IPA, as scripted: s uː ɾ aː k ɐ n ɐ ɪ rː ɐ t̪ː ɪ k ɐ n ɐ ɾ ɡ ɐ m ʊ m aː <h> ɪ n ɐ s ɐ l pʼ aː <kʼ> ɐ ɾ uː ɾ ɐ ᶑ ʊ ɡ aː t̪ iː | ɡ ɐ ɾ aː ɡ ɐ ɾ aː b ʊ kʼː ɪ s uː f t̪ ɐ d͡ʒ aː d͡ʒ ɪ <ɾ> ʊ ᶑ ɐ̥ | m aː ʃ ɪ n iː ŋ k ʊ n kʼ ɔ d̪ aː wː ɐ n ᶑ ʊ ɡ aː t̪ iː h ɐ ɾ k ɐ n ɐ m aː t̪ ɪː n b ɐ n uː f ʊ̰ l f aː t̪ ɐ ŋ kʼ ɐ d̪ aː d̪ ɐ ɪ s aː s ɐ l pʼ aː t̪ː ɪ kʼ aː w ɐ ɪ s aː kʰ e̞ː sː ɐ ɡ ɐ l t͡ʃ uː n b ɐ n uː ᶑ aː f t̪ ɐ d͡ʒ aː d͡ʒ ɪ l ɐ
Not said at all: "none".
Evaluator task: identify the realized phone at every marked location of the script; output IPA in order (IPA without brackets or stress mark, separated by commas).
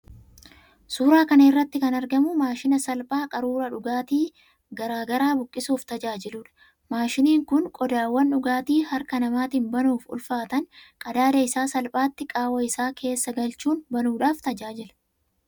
ʃ, kʼ, l